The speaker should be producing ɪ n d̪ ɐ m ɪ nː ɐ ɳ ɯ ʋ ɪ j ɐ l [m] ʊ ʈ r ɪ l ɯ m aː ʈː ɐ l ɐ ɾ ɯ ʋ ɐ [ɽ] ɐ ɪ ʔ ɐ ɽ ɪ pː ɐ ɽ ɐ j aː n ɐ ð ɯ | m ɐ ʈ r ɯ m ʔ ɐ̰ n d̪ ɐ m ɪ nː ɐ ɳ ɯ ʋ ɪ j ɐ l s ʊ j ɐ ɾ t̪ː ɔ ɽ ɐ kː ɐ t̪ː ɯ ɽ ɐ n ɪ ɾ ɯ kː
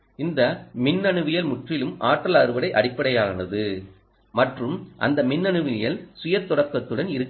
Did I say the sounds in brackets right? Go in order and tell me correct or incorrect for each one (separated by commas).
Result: correct, correct